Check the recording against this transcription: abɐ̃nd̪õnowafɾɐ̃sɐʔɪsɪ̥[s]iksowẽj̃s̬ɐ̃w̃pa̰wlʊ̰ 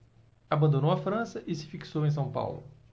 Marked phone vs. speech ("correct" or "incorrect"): incorrect